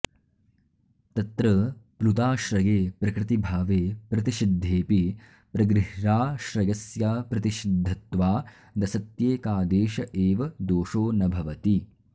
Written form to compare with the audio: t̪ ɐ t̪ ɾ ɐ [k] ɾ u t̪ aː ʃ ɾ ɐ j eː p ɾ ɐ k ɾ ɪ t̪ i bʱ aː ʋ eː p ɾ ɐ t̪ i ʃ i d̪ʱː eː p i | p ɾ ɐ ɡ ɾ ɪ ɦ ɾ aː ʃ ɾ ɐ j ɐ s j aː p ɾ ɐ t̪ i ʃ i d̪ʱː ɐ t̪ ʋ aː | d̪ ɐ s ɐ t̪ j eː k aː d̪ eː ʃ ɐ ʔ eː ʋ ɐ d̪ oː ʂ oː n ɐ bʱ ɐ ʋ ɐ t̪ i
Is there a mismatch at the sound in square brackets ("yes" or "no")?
yes